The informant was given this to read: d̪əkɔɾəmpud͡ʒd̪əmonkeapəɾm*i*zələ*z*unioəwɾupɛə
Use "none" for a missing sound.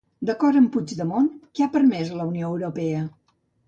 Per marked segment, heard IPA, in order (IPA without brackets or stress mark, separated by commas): ɛ, none